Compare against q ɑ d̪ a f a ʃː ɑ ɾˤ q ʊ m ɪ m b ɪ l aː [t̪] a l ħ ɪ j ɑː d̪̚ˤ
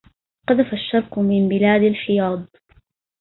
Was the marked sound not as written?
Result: yes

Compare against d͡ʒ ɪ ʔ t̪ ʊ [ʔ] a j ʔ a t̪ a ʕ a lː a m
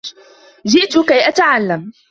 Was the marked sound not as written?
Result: yes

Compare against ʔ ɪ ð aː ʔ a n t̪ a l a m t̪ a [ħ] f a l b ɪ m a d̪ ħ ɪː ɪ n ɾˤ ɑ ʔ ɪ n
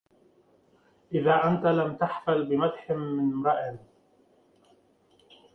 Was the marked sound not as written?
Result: no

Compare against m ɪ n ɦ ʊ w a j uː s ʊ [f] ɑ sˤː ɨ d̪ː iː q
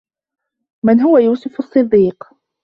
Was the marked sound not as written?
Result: no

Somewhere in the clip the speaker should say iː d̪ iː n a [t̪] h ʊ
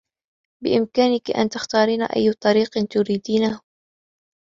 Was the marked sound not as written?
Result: yes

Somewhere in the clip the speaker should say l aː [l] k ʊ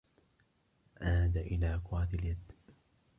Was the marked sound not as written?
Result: yes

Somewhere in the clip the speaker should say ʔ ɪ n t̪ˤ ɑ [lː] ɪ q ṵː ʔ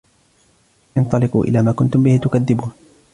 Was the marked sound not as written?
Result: yes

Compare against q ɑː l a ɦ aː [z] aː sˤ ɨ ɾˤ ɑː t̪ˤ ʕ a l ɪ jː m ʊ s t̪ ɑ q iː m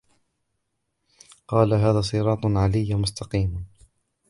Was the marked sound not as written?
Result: yes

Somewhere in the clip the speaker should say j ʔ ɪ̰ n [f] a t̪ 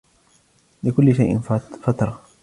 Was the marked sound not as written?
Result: no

